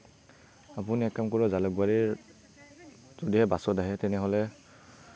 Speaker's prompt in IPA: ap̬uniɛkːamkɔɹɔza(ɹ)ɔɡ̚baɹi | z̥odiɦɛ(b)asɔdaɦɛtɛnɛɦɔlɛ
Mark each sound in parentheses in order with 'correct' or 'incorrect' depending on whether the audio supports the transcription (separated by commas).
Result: incorrect, correct